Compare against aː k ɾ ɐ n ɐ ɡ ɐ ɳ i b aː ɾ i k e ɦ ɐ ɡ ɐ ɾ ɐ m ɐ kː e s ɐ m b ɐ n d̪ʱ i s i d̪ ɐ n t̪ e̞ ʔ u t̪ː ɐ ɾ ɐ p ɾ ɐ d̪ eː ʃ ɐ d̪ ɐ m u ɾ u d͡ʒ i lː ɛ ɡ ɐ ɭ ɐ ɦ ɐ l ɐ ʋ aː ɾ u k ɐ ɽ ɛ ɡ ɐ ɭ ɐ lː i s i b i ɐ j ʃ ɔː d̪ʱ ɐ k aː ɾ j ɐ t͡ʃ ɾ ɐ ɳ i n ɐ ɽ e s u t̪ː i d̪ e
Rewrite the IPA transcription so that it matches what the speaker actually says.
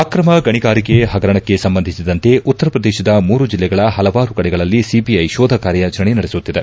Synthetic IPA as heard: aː k ɾ ɐ m ɐ ɡ ɐ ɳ i ɡ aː ɾ i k e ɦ ɐ ɡ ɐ ɾ ɐ ɳ ɐ kː e s ɐ m b ɐ n d̪ʱ i s i d̪ ɐ n t̪ e̞ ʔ u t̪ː ɐ ɾ ɐ p ɾ ɐ d̪ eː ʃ ɐ d̪ ɐ m uː ɾ u d͡ʒ i lː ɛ ɡ ɐ ɭ ɐ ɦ ɐ l ɐ ʋ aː ɾ u k ɐ ɽ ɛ ɡ ɐ ɭ ɐ lː i s i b i ɐ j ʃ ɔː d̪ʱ ɐ k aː ɾ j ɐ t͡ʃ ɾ ɐ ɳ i n ɐ ɽ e s u t̪ː i d̪ e